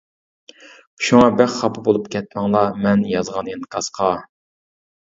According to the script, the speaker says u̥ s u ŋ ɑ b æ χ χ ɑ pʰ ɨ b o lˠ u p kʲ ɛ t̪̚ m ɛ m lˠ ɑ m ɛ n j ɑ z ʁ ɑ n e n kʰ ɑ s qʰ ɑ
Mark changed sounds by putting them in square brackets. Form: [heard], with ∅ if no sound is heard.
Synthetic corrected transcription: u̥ [ʃ] u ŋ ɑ b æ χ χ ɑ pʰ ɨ b o lˠ u p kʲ ɛ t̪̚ m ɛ [ŋ] lˠ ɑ m ɛ n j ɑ z ʁ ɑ n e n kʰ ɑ s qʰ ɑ